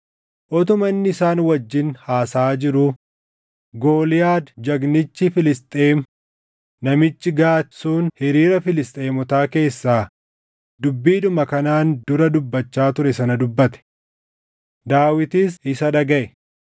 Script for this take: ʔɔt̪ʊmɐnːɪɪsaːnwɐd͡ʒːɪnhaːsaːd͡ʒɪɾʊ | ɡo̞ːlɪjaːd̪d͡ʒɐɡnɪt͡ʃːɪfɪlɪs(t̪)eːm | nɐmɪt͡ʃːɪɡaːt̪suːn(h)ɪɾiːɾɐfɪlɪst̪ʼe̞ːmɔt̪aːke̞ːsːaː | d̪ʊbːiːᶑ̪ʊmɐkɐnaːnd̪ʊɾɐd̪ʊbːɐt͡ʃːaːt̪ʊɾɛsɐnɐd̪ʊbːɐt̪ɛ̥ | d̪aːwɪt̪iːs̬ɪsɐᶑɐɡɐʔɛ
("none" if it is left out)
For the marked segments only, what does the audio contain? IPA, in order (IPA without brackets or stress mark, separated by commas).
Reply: t̪ʼ, h